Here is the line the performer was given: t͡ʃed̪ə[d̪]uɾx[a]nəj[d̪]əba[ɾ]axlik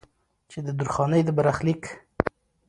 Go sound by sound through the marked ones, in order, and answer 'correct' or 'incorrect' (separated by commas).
correct, incorrect, correct, correct